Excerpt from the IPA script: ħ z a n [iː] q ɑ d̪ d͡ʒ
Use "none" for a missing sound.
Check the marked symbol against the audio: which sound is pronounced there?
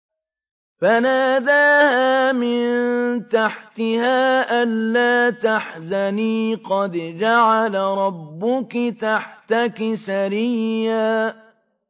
iː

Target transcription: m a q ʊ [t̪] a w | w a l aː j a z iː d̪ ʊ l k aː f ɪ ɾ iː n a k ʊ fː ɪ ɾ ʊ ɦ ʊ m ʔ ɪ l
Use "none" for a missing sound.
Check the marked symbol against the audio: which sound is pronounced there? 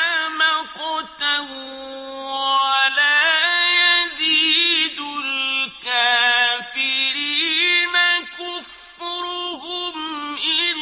t̪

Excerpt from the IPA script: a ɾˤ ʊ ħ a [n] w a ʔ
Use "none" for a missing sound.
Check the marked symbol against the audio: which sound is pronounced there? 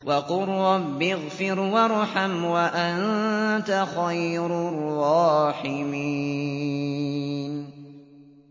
m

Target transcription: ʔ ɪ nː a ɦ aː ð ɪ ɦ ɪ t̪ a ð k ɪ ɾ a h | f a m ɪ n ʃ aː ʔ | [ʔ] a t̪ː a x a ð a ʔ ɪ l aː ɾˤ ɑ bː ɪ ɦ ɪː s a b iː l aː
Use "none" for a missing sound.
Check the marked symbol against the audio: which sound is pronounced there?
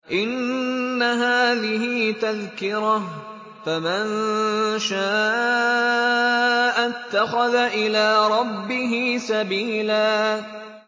ʔ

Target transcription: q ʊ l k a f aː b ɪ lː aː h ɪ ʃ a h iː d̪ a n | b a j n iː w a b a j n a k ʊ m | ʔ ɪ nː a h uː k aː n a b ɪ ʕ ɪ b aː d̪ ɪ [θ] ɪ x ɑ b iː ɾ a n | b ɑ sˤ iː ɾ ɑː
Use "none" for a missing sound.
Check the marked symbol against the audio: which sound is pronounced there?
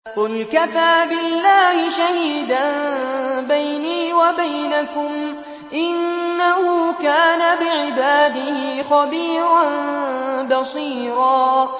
h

